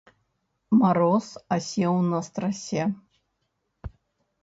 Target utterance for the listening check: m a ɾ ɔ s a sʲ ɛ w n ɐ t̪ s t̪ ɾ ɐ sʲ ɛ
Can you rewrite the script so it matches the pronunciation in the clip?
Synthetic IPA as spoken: m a ɾ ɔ s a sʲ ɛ w n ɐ s t̪ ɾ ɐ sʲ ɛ